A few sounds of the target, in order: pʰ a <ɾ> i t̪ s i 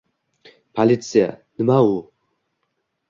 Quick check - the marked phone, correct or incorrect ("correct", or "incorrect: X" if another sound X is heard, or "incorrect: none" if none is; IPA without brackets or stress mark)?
incorrect: l